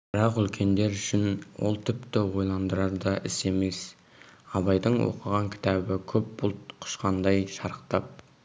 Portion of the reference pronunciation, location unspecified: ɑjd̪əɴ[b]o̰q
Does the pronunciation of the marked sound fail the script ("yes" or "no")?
yes